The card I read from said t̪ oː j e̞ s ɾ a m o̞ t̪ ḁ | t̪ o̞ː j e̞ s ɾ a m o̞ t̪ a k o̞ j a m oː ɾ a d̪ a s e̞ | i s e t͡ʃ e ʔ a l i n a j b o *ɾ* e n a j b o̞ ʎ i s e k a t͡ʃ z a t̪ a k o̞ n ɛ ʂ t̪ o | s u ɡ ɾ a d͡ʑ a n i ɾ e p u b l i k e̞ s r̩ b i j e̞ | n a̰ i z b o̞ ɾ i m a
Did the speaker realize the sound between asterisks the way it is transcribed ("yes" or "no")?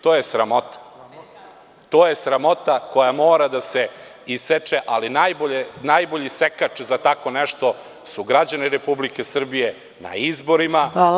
no